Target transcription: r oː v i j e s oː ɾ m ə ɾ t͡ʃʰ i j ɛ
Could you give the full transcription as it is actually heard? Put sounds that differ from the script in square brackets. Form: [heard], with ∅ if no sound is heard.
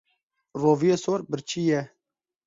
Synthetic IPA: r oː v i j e s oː ɾ [b] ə ɾ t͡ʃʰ i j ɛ

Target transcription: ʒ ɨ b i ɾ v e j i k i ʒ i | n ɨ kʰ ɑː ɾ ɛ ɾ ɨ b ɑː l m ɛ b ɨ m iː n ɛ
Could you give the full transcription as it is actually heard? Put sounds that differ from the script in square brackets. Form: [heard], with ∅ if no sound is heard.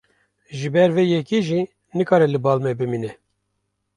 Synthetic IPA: ʒ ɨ b [ɛ] ɾ v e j [ɛ] k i ʒ i | n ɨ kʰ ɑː ɾ ɛ [l] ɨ b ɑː l m ɛ b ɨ m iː n ɛ

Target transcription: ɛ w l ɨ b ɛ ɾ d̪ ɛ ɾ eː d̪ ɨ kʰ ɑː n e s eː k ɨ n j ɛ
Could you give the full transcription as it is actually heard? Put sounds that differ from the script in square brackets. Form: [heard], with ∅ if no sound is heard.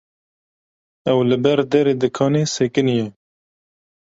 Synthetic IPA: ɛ w l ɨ b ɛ ɾ d̪ ɛ ɾ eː d̪ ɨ kʰ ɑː n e s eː k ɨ n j ɛ

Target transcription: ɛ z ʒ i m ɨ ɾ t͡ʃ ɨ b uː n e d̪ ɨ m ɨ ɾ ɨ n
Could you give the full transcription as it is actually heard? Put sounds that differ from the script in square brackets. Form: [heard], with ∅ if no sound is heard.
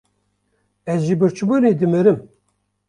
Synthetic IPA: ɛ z ʒ i [b] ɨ ɾ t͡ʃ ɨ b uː n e d̪ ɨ m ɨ ɾ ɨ [m]

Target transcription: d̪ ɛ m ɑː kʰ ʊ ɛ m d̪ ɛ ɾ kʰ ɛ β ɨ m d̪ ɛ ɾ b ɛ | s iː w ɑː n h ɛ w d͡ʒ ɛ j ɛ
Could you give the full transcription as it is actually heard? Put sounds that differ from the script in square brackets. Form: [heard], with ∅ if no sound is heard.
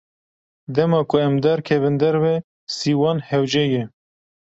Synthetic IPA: d̪ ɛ m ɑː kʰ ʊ ɛ m d̪ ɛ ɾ kʰ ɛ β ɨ [n] d̪ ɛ ɾ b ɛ | s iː w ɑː n h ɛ w d͡ʒ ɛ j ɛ

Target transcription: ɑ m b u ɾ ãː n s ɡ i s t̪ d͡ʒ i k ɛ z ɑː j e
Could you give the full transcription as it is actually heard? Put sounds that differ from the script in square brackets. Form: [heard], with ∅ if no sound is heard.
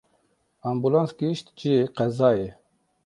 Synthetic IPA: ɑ m b u [l] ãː n s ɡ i [ʃ] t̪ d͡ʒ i [q] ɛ z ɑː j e

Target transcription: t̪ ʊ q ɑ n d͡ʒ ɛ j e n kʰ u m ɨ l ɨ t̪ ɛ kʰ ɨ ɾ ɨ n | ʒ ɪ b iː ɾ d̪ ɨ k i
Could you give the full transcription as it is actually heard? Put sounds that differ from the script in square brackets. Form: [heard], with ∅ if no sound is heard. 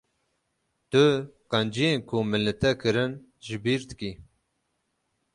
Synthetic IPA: t̪ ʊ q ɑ n d͡ʒ [i] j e n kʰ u m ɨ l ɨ t̪ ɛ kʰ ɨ ɾ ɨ n | ʒ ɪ b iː ɾ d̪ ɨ k i

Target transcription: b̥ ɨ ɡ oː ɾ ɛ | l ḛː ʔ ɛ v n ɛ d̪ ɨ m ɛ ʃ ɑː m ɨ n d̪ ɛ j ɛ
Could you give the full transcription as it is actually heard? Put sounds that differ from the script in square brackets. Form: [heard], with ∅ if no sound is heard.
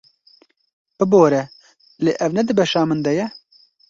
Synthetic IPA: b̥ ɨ [b] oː ɾ ɛ | l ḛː ʔ ɛ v n ɛ d̪ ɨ [b] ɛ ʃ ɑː m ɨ n d̪ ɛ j ɛ

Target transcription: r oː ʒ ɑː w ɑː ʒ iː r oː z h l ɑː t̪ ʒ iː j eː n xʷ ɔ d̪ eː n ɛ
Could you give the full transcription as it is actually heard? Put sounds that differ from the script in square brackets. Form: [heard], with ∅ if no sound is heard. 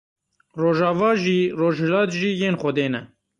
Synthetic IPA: r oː ʒ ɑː [v] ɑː ʒ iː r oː [ʒ] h l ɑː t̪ ʒ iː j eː n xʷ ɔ d̪ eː n ɛ

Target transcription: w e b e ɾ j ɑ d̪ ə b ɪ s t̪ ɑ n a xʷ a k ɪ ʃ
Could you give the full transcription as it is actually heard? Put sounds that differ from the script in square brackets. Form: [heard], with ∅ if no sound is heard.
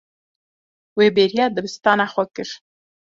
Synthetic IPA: w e b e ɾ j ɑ d̪ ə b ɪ s t̪ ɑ n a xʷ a k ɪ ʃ

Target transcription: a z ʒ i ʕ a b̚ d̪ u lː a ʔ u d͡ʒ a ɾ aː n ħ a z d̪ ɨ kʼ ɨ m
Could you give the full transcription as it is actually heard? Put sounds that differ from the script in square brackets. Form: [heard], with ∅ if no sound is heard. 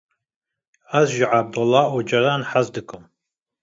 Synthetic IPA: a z ʒ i ʕ a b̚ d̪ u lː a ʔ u d͡ʒ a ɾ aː n ħ a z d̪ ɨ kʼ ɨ m

